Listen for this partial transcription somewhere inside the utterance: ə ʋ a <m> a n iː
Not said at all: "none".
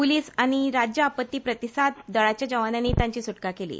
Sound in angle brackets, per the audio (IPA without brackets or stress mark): n